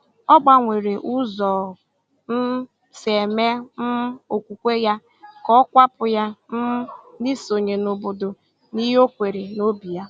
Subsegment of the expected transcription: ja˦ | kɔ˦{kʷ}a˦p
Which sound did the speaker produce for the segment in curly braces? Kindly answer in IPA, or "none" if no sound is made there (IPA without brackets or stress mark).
kʷ